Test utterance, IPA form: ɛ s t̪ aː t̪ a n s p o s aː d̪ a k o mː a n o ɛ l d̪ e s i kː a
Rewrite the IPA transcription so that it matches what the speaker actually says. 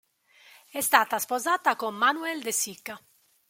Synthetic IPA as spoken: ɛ s t̪ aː t̪ a s p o z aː t̪ a k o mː a n u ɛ l d̪ e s i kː a